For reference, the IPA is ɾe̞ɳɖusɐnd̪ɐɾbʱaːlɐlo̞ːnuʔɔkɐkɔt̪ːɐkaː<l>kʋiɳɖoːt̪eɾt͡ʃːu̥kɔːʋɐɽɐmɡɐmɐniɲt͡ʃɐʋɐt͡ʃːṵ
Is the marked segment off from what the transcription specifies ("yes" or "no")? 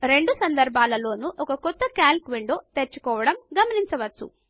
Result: no